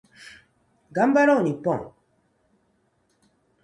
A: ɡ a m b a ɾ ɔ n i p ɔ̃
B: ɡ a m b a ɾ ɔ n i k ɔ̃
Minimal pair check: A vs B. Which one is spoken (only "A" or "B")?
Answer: A